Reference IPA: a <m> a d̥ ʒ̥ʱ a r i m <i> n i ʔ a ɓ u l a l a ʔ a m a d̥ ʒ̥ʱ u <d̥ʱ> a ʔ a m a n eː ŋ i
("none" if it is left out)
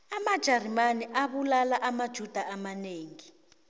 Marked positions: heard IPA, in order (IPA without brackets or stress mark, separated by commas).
m, a, d̥ʱ